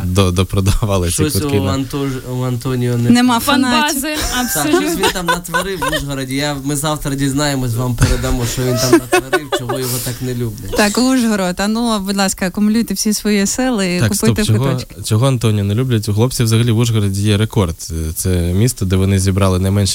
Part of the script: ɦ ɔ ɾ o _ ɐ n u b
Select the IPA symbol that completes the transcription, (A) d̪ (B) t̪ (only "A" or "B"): B